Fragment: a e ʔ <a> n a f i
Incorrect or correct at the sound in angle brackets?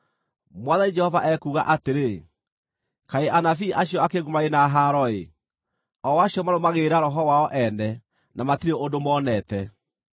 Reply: correct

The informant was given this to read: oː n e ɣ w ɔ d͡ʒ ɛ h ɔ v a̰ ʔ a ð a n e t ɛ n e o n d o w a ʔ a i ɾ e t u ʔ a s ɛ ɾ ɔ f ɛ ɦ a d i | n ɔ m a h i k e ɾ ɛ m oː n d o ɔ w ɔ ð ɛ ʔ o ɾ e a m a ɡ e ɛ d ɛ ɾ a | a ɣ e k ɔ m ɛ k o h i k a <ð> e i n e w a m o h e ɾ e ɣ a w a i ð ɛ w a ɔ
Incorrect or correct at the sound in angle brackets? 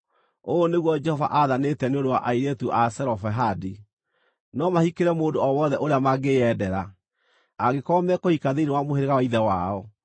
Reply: correct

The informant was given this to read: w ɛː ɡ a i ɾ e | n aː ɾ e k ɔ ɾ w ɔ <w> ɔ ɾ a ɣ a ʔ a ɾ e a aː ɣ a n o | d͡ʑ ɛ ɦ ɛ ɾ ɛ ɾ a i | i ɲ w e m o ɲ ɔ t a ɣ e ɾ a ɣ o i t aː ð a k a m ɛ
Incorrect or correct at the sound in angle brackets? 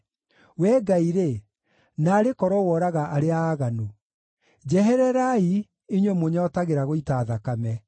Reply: correct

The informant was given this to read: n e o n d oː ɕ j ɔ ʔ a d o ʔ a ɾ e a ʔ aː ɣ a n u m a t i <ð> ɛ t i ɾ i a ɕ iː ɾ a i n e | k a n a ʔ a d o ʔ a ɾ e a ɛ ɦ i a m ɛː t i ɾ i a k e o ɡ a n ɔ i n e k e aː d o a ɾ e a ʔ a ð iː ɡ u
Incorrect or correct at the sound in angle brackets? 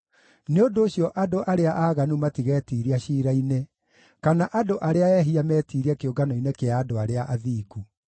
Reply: incorrect: ɣ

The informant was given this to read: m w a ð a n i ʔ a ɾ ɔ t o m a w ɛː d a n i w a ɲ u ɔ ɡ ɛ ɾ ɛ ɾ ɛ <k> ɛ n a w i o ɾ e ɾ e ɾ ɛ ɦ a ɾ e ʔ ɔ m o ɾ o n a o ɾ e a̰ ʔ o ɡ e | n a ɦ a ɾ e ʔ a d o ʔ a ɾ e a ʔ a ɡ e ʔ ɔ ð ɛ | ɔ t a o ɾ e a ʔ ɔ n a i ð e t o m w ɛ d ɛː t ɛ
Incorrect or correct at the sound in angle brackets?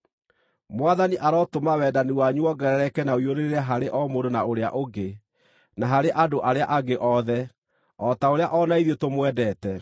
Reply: correct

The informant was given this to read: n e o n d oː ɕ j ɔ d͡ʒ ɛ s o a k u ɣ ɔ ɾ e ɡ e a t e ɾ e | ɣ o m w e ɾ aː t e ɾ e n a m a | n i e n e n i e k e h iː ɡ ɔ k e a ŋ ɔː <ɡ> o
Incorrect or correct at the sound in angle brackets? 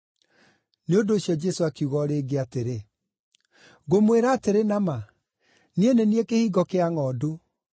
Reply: incorrect: d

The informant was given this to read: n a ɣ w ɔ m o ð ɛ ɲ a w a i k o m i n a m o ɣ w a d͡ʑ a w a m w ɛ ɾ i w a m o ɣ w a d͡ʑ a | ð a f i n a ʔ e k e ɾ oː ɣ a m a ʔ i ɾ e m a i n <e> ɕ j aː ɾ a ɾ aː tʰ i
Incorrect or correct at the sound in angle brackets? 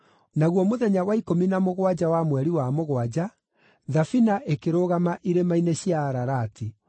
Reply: correct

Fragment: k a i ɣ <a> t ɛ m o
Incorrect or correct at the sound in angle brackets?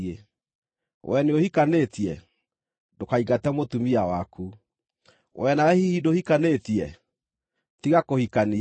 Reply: correct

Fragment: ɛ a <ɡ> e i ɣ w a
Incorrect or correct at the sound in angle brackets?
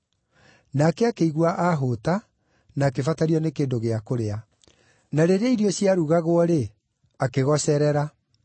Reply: incorrect: k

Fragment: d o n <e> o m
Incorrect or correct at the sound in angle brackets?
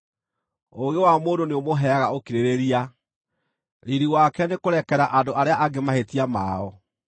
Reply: correct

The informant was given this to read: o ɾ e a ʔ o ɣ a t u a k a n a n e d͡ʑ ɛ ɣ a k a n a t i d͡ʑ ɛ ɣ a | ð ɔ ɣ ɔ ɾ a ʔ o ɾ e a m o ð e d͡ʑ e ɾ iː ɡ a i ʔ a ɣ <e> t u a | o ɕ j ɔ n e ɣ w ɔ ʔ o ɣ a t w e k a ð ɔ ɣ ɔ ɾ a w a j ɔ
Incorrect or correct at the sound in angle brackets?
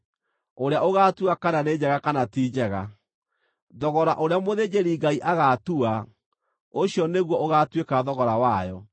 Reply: incorrect: a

